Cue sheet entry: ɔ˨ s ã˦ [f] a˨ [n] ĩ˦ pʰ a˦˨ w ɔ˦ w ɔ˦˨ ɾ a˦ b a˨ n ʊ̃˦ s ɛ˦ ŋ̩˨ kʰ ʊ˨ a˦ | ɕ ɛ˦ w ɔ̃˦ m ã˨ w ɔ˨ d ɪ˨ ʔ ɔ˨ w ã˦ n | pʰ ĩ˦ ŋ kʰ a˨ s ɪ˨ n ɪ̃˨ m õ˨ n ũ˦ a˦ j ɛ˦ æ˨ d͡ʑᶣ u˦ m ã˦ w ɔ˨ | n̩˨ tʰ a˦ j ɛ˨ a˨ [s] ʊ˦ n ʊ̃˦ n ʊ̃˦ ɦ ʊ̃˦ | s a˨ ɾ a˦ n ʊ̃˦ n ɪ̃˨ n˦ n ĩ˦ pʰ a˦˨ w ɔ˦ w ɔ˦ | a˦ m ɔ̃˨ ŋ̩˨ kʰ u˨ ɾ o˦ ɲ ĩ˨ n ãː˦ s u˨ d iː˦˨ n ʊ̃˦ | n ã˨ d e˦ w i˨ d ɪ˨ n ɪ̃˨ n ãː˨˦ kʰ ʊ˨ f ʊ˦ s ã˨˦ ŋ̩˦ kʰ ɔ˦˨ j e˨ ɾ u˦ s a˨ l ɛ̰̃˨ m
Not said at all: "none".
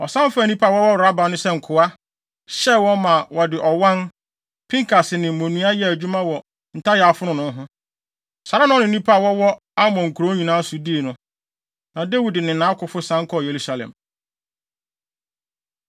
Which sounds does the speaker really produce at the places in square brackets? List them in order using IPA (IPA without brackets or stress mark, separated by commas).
f, n, f